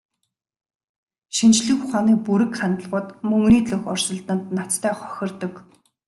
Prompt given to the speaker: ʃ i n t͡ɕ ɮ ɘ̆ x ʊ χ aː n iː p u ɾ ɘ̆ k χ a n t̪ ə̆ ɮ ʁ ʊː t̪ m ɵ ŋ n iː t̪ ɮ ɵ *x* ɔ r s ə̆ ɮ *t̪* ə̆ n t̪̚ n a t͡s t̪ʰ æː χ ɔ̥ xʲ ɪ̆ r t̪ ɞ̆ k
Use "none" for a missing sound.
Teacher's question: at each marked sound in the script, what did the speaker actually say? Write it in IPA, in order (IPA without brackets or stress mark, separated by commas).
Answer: x, t̪